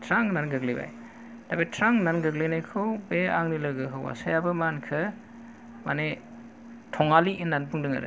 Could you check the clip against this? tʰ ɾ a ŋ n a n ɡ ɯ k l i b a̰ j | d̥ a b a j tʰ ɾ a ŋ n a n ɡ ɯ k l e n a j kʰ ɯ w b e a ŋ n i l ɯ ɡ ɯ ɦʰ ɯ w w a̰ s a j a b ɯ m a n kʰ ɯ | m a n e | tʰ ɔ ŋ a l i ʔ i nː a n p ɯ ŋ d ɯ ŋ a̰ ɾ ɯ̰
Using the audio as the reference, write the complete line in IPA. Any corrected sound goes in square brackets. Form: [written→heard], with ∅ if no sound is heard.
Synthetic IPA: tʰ ɾ a ŋ n a n ɡ ɯ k l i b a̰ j | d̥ a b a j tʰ ɾ a ŋ n a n ɡ ɯ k l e n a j kʰ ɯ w b e a ŋ n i l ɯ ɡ ɯ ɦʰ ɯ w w a̰ s a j a b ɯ m a n kʰ ɯ | m a n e | tʰ ɔ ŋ a l i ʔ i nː a n p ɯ ŋ d ɯ ŋ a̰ ɾ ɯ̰